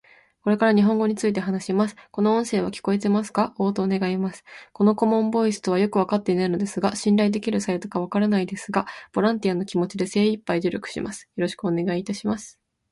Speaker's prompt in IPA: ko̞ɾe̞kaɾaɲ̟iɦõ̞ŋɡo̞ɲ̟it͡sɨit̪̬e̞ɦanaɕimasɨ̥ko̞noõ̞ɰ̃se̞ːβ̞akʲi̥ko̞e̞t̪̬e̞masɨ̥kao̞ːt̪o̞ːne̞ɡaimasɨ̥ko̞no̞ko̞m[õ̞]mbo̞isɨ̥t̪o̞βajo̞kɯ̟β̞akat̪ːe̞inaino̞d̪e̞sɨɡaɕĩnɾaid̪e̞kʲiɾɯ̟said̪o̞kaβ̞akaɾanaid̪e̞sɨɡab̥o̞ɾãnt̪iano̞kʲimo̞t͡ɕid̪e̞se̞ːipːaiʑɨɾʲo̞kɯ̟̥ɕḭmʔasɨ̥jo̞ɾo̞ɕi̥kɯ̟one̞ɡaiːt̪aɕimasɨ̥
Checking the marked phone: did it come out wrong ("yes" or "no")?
no